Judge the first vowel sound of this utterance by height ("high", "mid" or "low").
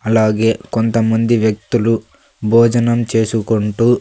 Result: low